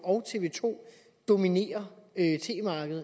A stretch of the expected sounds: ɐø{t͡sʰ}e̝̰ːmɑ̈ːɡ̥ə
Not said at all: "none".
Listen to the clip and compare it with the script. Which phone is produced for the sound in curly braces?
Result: t͡sʰ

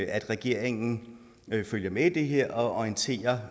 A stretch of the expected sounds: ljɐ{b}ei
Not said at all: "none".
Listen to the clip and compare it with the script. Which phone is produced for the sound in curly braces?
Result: m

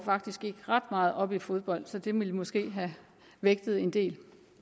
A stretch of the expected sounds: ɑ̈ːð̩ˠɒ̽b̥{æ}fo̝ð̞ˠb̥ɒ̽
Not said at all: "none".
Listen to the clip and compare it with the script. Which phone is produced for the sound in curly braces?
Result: i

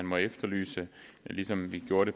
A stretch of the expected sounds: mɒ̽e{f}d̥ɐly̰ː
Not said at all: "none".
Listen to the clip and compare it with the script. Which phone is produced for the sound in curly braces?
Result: f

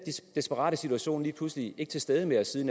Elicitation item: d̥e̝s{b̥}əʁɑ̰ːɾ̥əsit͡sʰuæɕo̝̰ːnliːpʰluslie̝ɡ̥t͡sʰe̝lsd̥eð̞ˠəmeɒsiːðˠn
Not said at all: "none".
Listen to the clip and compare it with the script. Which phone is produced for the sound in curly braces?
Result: b̥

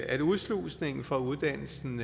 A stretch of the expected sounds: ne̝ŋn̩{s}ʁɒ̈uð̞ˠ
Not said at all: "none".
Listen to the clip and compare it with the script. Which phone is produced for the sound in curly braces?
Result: f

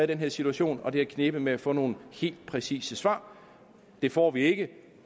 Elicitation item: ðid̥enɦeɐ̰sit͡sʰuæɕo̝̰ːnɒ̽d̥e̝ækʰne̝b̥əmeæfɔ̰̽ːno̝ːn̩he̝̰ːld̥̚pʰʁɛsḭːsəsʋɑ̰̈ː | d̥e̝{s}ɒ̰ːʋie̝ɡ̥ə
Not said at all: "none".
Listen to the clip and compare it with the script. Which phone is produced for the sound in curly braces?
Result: f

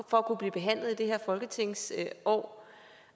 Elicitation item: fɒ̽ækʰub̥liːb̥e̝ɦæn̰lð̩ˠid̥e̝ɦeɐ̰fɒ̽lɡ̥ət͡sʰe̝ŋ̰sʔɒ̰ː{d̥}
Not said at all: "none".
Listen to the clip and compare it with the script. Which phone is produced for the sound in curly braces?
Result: none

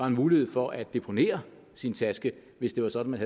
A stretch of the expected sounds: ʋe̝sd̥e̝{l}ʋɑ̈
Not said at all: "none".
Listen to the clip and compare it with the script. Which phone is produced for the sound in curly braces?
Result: none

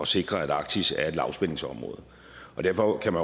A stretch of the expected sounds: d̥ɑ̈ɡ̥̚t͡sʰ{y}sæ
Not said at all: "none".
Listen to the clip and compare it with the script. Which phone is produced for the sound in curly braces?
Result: i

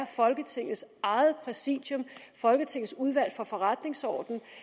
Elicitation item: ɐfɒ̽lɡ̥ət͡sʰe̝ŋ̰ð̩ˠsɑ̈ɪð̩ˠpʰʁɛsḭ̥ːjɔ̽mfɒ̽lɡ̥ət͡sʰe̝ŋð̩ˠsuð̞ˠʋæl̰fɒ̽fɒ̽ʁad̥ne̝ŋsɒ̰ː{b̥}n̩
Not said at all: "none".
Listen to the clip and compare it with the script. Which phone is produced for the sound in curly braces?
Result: d̥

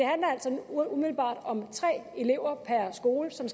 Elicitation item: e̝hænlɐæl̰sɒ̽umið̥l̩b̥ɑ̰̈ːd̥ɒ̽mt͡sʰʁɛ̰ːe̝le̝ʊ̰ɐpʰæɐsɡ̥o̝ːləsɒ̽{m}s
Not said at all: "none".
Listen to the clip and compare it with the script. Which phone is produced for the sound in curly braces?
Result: m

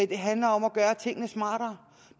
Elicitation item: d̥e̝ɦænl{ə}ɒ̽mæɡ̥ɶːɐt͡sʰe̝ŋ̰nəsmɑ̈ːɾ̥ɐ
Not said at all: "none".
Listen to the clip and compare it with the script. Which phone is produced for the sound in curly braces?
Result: ɐ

